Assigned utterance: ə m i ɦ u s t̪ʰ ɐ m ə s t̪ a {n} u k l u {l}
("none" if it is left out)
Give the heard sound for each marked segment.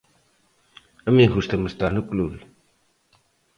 n, l

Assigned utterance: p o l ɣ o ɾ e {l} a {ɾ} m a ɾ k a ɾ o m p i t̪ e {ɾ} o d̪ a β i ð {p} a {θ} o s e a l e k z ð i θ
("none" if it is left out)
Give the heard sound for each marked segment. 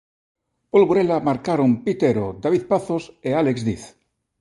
l, none, ɾ, p, θ

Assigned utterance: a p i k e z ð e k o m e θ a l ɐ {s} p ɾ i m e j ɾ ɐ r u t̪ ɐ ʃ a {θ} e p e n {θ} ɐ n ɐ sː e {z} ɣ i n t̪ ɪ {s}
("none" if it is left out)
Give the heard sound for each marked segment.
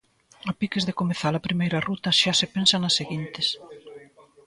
none, s, s, none, s

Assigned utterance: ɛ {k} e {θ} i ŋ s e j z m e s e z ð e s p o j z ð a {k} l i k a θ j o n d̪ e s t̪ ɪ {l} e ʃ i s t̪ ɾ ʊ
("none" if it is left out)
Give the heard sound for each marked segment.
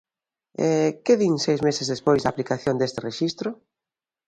k, ð, p, r

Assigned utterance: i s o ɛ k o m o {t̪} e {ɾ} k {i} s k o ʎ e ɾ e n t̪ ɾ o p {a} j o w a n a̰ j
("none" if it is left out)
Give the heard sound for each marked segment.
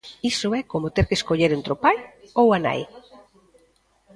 t̪, ɾ, e, a

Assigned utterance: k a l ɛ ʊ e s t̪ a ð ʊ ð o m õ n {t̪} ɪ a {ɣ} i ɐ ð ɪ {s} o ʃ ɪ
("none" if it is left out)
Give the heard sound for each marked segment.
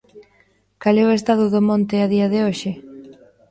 t̪, ð, none

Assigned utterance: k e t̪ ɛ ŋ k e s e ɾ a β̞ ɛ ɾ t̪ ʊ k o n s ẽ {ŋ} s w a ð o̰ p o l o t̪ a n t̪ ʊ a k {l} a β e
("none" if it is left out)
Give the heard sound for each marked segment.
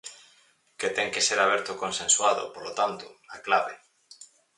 n, l

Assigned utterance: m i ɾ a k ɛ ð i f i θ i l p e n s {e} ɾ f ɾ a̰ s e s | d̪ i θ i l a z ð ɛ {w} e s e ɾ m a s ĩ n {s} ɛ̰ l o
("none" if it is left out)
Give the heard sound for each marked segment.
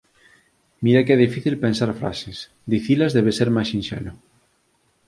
a, β, ʃ

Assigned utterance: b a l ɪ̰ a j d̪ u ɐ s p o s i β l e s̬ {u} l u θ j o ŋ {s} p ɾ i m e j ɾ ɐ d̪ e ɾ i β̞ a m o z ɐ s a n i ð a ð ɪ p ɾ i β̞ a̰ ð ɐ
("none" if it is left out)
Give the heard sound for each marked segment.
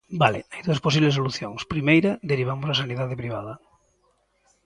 o, s

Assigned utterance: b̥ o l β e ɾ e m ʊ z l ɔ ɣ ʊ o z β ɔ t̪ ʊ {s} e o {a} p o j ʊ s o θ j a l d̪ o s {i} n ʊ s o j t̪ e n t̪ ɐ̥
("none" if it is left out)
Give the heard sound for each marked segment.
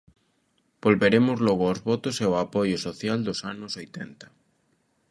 s, a, a

